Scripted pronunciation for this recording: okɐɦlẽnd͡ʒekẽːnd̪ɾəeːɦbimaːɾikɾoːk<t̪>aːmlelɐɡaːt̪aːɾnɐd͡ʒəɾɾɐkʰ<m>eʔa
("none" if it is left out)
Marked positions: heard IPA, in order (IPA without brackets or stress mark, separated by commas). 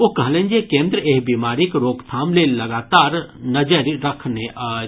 t̪ʰ, n